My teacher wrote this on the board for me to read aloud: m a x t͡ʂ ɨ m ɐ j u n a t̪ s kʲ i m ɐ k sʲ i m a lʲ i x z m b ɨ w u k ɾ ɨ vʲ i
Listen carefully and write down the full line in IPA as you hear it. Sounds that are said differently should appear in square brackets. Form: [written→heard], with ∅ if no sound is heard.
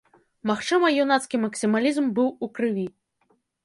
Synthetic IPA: m a x t͡ʂ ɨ m ɐ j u n a t̪ s kʲ i m ɐ k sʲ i m a lʲ i [x→∅] z m b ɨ w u k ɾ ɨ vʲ i